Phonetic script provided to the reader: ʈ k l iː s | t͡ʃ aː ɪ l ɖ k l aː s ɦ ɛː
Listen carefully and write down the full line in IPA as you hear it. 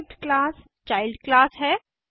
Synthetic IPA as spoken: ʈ k l aː s | t͡ʃ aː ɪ l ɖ k l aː s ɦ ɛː